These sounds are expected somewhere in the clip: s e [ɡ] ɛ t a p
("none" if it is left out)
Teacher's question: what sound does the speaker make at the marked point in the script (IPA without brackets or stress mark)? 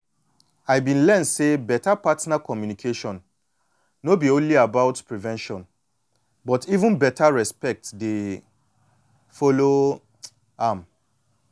b